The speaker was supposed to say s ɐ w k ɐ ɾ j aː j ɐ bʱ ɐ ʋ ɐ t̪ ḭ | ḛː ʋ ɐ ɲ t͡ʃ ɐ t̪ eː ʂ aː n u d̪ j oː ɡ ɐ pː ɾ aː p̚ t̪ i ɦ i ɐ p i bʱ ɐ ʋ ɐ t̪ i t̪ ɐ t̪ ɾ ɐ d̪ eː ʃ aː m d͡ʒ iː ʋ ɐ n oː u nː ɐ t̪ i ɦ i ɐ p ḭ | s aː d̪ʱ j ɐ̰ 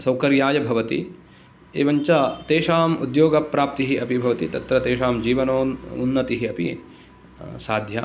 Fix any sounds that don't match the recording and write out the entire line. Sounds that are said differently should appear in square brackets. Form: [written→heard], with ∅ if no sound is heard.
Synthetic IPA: s ɐ w k ɐ ɾ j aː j ɐ bʱ ɐ ʋ ɐ t̪ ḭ | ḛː ʋ ɐ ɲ t͡ʃ ɐ t̪ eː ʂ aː [n→m] u d̪ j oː ɡ ɐ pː ɾ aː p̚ t̪ i ɦ i ɐ p i bʱ ɐ ʋ ɐ t̪ i t̪ ɐ t̪ ɾ ɐ [d̪→t̪] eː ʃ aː m d͡ʒ iː ʋ ɐ n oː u nː ɐ t̪ i ɦ i ɐ p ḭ | s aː d̪ʱ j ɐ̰